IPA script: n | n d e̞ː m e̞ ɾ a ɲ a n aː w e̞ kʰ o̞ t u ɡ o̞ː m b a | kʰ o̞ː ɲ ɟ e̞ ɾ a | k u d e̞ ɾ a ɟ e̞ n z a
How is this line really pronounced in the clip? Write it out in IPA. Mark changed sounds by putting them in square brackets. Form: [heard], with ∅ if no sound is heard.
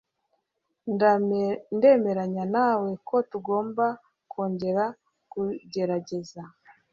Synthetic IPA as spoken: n | n d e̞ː m e̞ ɾ a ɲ a n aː w e̞ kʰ o̞ t u ɡ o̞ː m b a | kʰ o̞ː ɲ ɟ e̞ ɾ a | k u [ɟ] e̞ ɾ a ɟ e̞ [∅] z a